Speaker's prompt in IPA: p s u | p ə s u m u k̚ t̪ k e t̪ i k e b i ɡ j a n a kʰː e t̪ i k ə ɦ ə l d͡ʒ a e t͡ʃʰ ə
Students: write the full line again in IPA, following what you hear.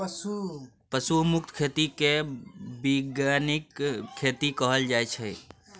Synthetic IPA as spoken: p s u | p ə s u m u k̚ t̪ kʰ e t̪ i k e b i ɡ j a n i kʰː e t̪ i k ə ɦ ə l d͡ʒ a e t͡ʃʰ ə